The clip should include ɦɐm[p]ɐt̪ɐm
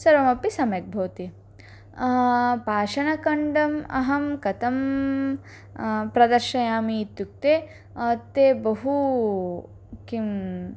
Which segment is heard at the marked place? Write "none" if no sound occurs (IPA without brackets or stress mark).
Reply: k